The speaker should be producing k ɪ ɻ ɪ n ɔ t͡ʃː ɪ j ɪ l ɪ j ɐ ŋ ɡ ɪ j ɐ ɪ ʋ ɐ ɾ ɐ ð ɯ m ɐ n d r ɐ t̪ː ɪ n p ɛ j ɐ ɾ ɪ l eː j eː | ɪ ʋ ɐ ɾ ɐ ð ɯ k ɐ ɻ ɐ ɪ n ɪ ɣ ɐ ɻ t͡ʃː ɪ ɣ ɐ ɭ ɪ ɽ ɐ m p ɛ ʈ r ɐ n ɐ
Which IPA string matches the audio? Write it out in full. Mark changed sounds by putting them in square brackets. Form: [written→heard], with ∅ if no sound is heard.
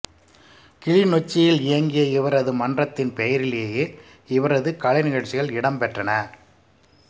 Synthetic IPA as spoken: k ɪ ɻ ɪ n ɔ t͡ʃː ɪ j ɪ l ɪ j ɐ ŋ ɡ ɪ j ɐ ɪ ʋ ɐ ɾ ɐ ð ɯ m ɐ n d r ɐ t̪ː ɪ n p ɛ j ɐ ɾ ɪ l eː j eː | ɪ ʋ ɐ ɾ ɐ ð ɯ k ɐ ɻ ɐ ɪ n ɪ ɣ ɐ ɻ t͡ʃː ɪ ɣ ɐ ɭ ɪ ɽ ɐ m p ɛ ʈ r ɐ n ɐ

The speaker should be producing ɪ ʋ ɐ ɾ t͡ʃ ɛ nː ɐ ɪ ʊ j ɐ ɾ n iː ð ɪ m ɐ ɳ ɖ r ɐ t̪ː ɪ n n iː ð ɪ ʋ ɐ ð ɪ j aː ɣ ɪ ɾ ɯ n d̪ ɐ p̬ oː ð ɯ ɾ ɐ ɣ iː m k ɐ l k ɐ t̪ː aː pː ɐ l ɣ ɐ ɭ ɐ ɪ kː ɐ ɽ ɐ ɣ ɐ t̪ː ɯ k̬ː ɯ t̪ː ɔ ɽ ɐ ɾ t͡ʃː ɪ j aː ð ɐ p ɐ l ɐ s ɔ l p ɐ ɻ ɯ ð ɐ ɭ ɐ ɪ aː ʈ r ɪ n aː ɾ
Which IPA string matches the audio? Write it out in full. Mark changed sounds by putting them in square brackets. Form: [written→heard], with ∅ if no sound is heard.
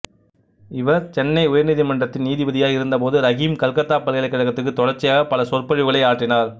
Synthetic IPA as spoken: ɪ ʋ ɐ ɾ t͡ʃ ɛ nː ɐ ɪ ʊ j ɐ ɾ n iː ð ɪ m ɐ ɳ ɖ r ɐ t̪ː ɪ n n iː ð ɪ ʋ ɐ ð ɪ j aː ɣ ɪ ɾ ɯ n d̪ ɐ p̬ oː ð ɯ ɾ ɐ ɣ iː m k ɐ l k ɐ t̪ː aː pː ɐ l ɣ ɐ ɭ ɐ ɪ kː ɐ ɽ ɐ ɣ ɐ t̪ː ɯ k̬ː ɯ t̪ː ɔ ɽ ɐ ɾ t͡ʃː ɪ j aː [ð→ɣ] ɐ p ɐ l ɐ s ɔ [l→r] p ɐ ɻ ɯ [ð→ɣ] ɐ ɭ ɐ ɪ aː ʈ r ɪ n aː ɾ

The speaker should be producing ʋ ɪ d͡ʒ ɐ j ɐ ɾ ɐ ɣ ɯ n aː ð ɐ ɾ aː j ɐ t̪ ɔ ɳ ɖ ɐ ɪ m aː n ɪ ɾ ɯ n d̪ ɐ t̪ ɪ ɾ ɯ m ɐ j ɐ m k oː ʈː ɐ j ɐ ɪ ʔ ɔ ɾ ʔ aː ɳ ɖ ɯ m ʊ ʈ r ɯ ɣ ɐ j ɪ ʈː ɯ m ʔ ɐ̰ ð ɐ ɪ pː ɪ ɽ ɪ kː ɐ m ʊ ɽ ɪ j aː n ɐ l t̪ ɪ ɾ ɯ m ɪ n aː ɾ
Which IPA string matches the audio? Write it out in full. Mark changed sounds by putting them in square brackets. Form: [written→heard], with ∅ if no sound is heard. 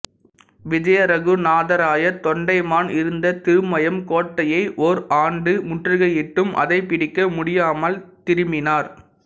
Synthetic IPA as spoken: ʋ ɪ d͡ʒ ɐ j ɐ ɾ ɐ ɣ ɯ n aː ð ɐ ɾ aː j ɐ t̪ ɔ ɳ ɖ ɐ ɪ m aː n ɪ ɾ ɯ n d̪ ɐ t̪ ɪ ɾ ɯ m ɐ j ɐ m k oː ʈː ɐ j ɐ ɪ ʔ ɔ ɾ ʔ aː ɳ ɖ ɯ m ʊ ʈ r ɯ ɣ ɐ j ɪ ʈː ɯ m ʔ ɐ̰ ð ɐ ɪ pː ɪ ɽ ɪ kː ɐ m ʊ ɽ ɪ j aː [n→m] ɐ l t̪ ɪ ɾ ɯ m ɪ n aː ɾ

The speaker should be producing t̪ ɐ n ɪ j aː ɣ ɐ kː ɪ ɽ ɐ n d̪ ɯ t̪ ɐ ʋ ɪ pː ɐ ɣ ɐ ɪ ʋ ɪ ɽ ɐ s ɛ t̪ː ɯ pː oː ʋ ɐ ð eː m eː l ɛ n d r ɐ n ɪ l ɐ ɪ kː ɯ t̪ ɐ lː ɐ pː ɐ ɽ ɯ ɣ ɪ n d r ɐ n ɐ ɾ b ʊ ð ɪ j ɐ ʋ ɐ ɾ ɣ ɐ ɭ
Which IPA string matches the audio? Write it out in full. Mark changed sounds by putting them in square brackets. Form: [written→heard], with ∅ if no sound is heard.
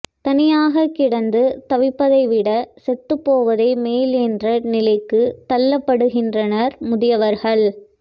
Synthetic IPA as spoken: t̪ ɐ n ɪ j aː ɣ ɐ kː ɪ ɽ ɐ n d̪ ɯ t̪ ɐ ʋ ɪ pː ɐ [ɣ→ð] ɐ ɪ ʋ ɪ ɽ ɐ s ɛ t̪ː ɯ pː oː ʋ ɐ ð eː m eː l ɛ n d r ɐ n ɪ l ɐ ɪ kː ɯ t̪ ɐ lː ɐ pː ɐ ɽ ɯ ɣ ɪ n d r ɐ n ɐ ɾ [b→m] ʊ ð ɪ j ɐ ʋ ɐ ɾ ɣ ɐ ɭ

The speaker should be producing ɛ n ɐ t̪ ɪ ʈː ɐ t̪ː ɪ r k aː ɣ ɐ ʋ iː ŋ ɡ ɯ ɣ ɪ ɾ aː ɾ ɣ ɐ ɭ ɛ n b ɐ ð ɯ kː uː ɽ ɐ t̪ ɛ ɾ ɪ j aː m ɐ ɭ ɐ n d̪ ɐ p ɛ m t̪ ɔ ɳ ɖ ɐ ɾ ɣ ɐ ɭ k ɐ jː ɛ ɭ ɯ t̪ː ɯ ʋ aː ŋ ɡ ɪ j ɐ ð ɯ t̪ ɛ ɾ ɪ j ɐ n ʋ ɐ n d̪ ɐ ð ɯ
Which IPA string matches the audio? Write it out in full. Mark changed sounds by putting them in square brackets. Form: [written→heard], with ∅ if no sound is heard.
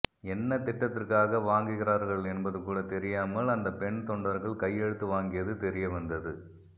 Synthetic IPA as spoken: ɛ [n→nː] ɐ t̪ ɪ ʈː ɐ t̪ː ɪ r k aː ɣ ɐ ʋ [iː→aː] ŋ ɡ ɯ ɣ ɪ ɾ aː ɾ ɣ ɐ ɭ ɛ n b ɐ ð ɯ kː uː ɽ ɐ t̪ ɛ ɾ ɪ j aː m ɐ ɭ ɐ n d̪ ɐ p ɛ [m→ɳ] t̪ ɔ ɳ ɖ ɐ ɾ ɣ ɐ ɭ k ɐ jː ɛ [ɭ→ɽ] ɯ t̪ː ɯ ʋ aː ŋ ɡ ɪ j ɐ ð ɯ t̪ ɛ ɾ ɪ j ɐ [n→∅] ʋ ɐ n d̪ ɐ ð ɯ

